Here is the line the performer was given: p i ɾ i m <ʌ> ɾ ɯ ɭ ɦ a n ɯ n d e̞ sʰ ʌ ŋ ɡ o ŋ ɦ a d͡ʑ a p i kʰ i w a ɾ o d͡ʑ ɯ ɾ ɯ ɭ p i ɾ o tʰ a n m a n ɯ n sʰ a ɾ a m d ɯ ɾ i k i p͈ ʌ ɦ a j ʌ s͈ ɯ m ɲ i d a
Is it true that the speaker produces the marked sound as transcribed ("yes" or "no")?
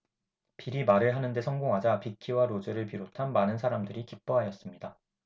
no